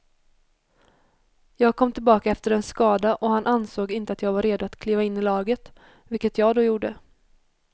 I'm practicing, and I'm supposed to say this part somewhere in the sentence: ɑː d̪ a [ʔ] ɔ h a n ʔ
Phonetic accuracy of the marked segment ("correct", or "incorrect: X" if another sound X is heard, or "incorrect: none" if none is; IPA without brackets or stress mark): correct